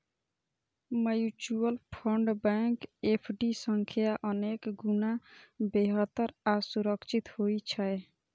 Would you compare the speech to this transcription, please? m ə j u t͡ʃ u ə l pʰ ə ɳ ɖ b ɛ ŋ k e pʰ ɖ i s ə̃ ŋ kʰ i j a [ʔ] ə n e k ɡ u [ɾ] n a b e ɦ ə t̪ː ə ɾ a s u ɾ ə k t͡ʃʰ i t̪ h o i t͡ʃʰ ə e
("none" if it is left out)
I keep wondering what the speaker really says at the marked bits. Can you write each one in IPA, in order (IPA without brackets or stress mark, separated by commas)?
ʔ, none